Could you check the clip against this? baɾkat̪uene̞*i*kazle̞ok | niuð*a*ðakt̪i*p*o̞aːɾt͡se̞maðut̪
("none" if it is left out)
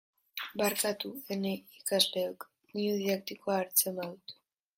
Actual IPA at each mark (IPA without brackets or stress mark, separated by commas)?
i, i, k